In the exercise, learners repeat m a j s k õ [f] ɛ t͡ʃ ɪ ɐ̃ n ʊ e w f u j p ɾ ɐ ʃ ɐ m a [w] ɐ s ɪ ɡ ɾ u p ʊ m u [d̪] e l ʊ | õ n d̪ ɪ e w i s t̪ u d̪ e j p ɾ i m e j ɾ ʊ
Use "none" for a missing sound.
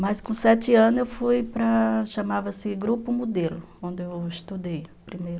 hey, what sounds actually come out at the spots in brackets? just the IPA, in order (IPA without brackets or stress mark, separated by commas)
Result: s, v, d̪